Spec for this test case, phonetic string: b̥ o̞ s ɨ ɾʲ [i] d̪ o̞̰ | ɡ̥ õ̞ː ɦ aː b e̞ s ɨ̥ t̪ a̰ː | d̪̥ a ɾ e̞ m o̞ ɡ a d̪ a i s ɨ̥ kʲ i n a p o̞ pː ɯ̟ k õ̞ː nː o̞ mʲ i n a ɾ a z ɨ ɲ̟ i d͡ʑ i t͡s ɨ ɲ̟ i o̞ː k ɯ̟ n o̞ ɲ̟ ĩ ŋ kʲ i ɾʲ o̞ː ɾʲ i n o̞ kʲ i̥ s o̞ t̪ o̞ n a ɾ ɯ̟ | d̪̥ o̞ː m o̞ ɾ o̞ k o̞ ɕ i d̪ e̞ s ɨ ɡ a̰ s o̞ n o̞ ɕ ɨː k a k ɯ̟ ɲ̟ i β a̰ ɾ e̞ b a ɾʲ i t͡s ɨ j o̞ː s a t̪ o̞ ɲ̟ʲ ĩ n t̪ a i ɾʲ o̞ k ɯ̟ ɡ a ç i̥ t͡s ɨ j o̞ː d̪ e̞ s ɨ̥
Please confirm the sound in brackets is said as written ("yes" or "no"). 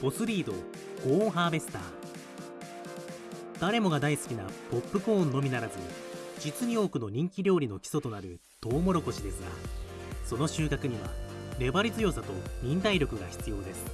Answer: no